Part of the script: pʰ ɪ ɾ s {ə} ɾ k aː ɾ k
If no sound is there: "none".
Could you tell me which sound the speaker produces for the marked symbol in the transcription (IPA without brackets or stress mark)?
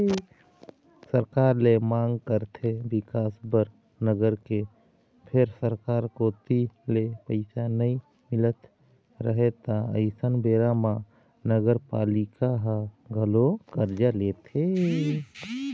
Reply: ə